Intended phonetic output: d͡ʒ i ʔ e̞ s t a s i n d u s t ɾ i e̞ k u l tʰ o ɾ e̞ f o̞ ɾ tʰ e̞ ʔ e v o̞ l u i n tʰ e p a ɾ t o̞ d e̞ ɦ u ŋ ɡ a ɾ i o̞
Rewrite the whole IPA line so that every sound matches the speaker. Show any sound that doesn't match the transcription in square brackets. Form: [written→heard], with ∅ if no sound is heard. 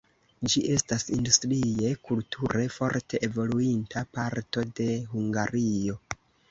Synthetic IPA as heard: d͡ʒ i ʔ e̞ s t a s i n d u s t ɾ i e̞ k u l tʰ [o→u] ɾ e̞ f o̞ ɾ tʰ e̞ ʔ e v o̞ l u i n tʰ [e→a] p a ɾ t o̞ d e̞ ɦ u ŋ ɡ a ɾ i o̞